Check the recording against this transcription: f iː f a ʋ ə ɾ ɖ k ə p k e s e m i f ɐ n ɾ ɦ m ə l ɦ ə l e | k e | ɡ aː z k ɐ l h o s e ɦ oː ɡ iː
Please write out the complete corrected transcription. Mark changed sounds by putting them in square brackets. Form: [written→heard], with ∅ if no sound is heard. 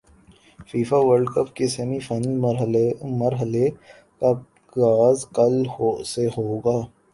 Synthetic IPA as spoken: f iː f a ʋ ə ɾ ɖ k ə p k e s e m i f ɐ n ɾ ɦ m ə [l→ɾ] ɦ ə l e | k [e→a] | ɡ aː z k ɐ l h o s e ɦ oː ɡ [iː→aː]